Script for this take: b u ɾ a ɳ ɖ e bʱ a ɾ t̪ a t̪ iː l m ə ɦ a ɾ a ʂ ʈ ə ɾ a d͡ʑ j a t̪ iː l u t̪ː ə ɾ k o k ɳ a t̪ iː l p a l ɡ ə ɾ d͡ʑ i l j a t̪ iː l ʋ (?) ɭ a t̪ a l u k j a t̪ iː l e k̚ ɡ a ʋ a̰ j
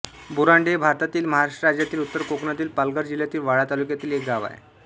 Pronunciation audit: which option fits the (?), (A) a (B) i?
A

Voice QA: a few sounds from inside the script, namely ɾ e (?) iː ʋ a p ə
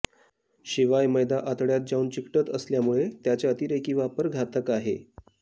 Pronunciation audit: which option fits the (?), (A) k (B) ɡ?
A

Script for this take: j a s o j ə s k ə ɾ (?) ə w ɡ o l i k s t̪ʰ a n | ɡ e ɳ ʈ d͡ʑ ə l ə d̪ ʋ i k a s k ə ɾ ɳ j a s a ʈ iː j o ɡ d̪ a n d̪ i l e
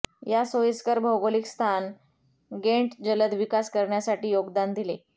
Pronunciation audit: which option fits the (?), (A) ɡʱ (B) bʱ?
B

